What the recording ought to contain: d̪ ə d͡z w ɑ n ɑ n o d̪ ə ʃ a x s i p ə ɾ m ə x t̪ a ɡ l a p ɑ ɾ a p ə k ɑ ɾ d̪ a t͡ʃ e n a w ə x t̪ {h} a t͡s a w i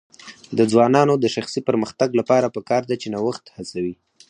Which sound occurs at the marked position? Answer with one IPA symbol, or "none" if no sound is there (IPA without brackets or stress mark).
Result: h